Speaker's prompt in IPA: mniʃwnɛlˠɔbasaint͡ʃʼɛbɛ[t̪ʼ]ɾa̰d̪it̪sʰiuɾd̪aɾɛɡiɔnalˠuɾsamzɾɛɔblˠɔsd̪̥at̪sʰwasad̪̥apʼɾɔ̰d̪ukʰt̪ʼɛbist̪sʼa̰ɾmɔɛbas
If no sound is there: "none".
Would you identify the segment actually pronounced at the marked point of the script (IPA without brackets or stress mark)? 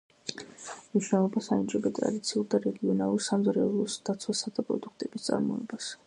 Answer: t̪ʼ